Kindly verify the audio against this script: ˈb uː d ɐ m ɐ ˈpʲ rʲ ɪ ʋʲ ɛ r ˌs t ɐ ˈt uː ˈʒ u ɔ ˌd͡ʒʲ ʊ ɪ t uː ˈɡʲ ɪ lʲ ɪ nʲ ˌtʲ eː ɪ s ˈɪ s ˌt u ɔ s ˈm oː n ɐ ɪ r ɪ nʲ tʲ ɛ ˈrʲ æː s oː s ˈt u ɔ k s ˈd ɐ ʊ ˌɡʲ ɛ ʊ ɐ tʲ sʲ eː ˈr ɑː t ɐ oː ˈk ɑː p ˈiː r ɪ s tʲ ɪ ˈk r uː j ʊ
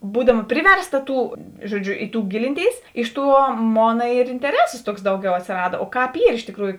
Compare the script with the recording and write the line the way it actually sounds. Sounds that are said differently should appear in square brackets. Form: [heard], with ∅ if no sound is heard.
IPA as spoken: ˈb uː d ɐ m ɐ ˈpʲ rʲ ɪ ʋʲ ɛ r ˌs t ɐ ˈt uː ˈʒ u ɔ ˌd͡ʒʲ ʊ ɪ t uː ˈɡʲ ɪ lʲ ɪ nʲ ˌtʲ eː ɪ s ˈɪ [ʃ] ˌt u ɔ [∅] ˈm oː n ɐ ɪ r ɪ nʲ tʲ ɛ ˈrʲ æː s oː s ˈt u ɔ k s ˈd ɐ ʊ ˌɡʲ ɛ ʊ ɐ tʲ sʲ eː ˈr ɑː [d] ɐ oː ˈk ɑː p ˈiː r ɪ [ʃ] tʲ ɪ ˈk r uː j ʊ